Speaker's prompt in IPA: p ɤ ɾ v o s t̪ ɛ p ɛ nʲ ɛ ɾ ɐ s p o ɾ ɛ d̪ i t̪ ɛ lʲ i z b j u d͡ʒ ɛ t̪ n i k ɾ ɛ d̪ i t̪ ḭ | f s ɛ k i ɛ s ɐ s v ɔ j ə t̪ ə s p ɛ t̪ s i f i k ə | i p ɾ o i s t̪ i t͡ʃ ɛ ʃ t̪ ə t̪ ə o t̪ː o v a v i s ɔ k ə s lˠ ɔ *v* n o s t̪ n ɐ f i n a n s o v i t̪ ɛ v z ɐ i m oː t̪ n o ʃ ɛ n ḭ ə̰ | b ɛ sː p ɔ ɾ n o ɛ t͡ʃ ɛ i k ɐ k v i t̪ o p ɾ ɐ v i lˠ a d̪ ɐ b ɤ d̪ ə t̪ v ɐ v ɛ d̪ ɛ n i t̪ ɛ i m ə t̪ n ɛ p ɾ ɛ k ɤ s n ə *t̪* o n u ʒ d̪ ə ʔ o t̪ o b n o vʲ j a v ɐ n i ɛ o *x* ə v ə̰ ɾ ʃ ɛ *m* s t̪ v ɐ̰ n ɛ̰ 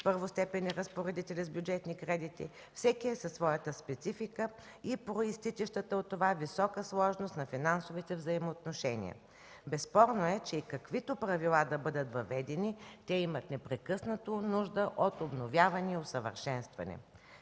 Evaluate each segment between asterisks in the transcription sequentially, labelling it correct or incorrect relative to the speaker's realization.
incorrect: ʒ, correct, incorrect: s, incorrect: n

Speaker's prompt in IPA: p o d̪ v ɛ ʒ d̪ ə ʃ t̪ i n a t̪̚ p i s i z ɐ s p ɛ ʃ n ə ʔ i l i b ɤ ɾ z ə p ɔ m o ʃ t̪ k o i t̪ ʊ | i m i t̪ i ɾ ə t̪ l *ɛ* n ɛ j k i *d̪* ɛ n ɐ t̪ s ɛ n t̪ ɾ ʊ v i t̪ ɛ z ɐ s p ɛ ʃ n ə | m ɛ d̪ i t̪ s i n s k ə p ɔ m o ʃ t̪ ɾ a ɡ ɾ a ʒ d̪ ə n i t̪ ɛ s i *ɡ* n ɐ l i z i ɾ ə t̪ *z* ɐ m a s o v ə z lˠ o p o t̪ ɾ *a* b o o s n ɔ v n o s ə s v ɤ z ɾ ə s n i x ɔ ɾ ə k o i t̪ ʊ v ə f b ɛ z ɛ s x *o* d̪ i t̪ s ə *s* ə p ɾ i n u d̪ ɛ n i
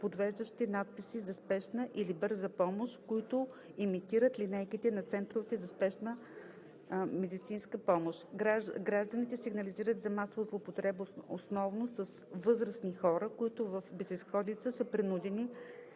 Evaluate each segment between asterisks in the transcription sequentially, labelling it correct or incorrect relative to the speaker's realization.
incorrect: i, incorrect: t̪, correct, correct, incorrect: ɛ, incorrect: ɔ, correct

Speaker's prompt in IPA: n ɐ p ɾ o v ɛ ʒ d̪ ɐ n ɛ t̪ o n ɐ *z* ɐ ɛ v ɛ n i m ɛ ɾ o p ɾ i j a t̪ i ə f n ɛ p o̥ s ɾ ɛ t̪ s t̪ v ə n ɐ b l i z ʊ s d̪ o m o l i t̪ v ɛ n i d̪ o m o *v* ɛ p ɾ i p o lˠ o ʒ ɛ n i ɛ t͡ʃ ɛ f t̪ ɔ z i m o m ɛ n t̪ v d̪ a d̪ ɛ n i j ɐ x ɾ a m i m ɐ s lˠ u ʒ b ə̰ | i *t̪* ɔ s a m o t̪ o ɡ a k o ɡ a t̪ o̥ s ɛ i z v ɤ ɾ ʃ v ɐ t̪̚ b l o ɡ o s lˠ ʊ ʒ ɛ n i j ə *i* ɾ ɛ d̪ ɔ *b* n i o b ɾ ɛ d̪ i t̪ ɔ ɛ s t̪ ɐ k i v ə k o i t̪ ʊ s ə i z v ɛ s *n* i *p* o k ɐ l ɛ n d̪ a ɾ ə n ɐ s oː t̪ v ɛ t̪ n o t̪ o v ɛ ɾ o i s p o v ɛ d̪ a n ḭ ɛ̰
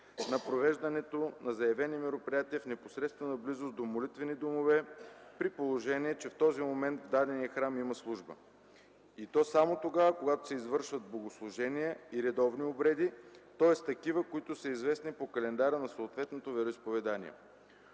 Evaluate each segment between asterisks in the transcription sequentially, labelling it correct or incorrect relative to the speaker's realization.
correct, correct, correct, correct, incorrect: v, correct, correct

